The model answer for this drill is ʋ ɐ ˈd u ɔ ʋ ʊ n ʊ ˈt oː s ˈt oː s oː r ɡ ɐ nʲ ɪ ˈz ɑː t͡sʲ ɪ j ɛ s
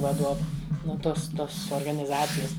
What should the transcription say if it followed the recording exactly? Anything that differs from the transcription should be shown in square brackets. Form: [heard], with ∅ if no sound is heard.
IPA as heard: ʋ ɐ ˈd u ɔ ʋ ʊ n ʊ ˈt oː s ˈt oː s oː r ɡ ɐ nʲ ɪ ˈz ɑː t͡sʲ ɪ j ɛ s